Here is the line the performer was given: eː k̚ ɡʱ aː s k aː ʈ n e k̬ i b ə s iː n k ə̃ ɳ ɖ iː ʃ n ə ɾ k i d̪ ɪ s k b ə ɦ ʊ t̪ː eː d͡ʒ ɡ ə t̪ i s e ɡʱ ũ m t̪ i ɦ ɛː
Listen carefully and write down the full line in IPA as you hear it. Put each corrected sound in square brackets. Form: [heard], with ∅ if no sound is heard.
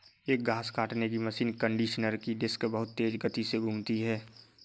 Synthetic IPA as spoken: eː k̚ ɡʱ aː s k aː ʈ n e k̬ i [m] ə s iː n k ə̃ ɳ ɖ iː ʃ n ə ɾ k i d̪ ɪ s k b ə ɦ ʊ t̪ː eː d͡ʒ ɡ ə t̪ i s e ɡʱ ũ m t̪ i ɦ ɛː